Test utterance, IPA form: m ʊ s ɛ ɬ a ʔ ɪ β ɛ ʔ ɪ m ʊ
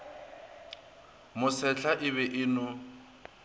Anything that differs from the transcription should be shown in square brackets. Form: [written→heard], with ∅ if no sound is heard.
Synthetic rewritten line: m ʊ s ɛ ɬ a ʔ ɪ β ɛ ʔ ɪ [m→n] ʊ